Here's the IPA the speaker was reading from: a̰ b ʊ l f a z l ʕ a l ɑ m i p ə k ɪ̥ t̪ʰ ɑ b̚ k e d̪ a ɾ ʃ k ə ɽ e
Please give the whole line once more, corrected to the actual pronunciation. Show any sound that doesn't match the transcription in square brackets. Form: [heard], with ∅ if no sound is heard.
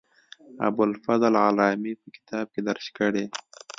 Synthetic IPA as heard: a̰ b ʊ l f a z l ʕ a l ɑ m i p ə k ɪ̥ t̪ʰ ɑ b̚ k e d̪ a ɾ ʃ k ə ɽ e